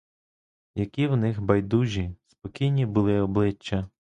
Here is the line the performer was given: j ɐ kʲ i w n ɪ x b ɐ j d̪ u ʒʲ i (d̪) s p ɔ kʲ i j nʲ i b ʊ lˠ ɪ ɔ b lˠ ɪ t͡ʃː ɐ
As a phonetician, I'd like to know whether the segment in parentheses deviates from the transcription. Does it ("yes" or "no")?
yes